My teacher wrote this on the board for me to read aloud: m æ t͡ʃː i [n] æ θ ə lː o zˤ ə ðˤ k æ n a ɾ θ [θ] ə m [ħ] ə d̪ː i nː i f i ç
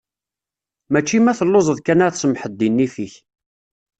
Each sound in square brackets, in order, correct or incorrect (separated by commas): incorrect, incorrect, correct